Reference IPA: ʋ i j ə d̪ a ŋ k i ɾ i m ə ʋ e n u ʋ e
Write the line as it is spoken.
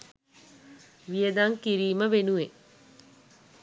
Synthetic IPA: ʋ i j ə d̪ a ŋ k i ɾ iː m ə ʋ e n u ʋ e